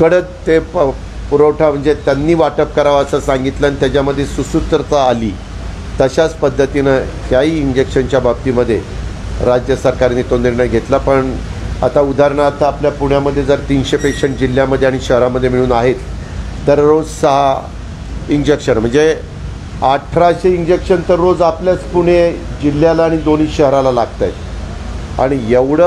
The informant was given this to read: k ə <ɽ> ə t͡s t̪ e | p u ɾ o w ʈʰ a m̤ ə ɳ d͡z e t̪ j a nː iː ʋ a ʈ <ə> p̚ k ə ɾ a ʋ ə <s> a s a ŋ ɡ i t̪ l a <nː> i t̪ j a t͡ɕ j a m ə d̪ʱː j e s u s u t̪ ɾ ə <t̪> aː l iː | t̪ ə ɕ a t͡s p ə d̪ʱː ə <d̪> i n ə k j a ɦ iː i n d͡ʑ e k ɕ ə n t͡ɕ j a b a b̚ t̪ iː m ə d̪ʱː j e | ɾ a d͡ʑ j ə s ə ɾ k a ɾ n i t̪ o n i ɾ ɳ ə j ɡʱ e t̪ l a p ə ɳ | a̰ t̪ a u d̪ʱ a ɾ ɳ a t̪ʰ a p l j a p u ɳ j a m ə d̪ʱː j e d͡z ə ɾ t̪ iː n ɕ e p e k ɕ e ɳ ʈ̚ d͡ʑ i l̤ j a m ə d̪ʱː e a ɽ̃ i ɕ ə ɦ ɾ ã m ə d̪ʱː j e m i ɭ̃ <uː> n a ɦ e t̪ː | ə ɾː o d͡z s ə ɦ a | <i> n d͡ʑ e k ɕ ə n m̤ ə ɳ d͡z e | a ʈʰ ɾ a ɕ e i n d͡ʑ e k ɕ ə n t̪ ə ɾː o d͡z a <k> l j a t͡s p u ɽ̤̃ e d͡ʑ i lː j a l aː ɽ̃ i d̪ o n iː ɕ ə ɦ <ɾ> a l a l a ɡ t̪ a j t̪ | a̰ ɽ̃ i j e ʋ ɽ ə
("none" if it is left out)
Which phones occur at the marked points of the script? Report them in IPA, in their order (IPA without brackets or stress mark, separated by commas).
ɽ, ə, s, n, t̪, t̪, uː, i, p, ɾ